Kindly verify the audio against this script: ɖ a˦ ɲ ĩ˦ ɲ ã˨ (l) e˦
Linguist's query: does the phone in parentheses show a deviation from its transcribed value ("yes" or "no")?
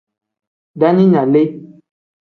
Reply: no